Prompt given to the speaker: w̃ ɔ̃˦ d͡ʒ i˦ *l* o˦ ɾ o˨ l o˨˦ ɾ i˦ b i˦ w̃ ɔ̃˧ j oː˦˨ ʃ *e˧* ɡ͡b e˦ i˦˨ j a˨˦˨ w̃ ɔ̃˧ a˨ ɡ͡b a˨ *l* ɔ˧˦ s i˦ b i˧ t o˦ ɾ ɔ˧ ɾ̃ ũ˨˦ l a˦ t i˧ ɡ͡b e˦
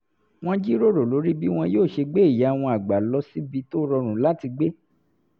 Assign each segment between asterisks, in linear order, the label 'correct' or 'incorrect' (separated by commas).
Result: incorrect, correct, correct